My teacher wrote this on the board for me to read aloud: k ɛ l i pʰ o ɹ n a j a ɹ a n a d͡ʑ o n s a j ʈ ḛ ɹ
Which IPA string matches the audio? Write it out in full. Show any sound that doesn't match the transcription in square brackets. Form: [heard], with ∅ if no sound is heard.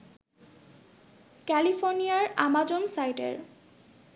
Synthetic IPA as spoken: k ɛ l i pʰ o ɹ n [i] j a ɹ a [m] a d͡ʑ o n s a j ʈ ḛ ɹ